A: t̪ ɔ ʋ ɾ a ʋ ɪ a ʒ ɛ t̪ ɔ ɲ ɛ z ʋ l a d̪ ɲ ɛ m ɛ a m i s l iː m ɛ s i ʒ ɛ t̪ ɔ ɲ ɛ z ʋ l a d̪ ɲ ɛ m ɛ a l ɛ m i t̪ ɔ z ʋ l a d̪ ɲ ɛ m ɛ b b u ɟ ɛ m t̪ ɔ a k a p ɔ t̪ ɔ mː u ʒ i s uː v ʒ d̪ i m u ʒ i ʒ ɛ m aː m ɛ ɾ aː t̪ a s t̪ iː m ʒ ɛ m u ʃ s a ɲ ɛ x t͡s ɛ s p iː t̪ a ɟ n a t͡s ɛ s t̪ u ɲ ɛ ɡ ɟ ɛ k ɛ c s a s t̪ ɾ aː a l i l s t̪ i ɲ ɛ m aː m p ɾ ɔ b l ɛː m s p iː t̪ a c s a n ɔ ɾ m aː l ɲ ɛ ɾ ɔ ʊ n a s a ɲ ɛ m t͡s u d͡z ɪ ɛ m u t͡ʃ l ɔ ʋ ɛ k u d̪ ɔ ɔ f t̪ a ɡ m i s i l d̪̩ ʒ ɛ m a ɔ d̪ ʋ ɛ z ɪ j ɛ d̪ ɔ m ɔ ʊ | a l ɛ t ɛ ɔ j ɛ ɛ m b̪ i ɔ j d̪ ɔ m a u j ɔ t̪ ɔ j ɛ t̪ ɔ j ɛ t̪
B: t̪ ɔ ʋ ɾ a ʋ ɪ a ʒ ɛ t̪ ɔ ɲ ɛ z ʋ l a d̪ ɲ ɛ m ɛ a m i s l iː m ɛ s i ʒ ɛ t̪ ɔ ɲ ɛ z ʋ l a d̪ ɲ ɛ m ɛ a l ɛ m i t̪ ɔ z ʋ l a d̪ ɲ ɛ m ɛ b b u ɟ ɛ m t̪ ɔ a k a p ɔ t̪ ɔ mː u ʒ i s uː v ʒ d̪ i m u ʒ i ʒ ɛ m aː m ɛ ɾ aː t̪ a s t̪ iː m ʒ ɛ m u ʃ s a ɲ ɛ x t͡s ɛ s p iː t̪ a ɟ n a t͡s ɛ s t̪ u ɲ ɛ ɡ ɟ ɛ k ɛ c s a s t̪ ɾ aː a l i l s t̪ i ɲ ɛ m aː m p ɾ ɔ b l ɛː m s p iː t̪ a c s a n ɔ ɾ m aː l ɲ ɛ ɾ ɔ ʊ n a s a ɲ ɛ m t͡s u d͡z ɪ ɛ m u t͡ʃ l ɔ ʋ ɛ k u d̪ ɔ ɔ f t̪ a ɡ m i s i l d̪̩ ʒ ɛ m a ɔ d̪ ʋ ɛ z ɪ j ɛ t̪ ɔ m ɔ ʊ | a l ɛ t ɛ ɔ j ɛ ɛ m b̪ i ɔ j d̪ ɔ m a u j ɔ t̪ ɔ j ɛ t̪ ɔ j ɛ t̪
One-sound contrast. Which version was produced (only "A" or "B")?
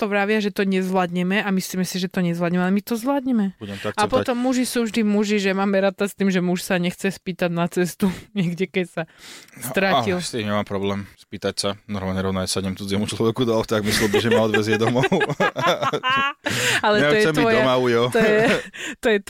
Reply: A